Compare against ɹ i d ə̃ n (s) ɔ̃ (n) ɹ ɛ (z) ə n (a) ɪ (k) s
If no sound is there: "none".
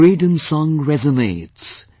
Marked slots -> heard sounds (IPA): s, ŋ, z, e, t

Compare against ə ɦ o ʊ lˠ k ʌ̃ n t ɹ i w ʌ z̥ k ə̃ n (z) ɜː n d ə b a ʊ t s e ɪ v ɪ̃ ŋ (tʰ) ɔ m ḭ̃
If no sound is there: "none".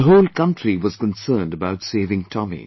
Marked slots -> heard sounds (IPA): s, tʰ

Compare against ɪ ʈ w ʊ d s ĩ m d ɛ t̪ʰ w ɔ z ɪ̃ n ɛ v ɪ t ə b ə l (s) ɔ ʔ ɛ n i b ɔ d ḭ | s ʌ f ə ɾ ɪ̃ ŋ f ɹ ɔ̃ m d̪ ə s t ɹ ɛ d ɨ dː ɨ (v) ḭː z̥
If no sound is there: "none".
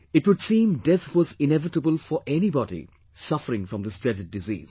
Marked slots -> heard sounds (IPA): f, z

